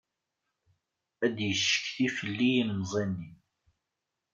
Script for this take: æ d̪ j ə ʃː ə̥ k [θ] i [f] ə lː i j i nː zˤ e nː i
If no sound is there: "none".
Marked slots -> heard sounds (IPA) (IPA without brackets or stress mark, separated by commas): θ, f